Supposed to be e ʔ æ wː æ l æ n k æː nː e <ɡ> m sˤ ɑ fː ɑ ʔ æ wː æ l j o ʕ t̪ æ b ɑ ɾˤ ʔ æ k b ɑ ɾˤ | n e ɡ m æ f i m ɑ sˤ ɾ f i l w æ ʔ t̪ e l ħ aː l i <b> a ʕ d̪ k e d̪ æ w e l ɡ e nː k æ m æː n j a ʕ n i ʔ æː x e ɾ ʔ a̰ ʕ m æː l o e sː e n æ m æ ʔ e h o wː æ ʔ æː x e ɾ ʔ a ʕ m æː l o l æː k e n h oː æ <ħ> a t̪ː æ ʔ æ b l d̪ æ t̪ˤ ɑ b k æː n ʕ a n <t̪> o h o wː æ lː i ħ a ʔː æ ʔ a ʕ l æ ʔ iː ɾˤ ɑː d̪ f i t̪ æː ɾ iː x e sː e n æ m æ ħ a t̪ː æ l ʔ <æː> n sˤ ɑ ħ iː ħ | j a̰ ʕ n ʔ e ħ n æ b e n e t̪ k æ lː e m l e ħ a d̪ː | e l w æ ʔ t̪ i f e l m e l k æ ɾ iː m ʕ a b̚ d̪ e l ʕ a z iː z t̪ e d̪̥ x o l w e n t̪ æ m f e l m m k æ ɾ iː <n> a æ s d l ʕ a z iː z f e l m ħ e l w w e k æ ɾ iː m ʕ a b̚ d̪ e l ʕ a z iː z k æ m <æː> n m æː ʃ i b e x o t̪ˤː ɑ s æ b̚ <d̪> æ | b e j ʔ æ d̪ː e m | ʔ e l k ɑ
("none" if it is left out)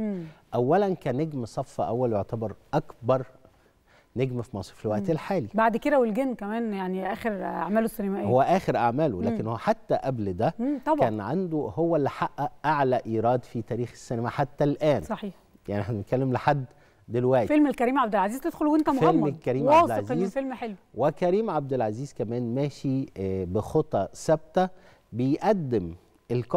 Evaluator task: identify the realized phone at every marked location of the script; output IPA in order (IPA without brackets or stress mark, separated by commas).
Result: ɡ, b, ħ, d̪, æː, m, æː, t̪